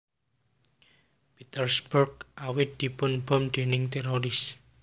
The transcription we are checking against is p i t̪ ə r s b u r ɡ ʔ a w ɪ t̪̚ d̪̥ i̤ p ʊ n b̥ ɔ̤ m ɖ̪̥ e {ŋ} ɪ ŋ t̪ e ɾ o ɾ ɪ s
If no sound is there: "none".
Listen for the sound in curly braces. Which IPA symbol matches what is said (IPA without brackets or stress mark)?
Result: n